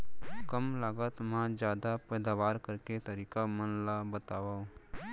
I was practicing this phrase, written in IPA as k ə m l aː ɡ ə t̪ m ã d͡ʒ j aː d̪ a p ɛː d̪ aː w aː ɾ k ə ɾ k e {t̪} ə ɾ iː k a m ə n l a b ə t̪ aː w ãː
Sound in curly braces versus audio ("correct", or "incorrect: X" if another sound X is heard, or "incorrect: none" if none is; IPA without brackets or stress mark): correct